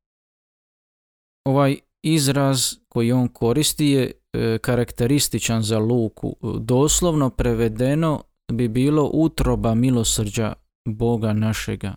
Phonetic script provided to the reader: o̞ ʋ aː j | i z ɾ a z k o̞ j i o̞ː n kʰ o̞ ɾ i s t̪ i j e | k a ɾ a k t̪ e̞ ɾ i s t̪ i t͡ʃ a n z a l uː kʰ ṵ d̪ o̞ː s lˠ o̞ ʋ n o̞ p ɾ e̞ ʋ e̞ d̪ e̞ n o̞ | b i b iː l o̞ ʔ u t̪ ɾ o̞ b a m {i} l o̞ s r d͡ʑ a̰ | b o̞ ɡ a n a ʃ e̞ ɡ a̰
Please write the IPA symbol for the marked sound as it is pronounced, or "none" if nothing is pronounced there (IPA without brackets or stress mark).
i